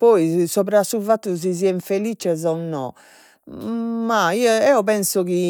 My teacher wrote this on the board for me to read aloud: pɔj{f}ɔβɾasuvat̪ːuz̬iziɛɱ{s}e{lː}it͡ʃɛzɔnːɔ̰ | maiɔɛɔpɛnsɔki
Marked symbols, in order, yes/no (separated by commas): no, no, no